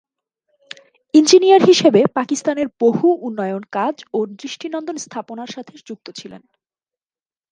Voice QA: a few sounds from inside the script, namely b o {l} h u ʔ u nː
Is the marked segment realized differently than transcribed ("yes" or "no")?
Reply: yes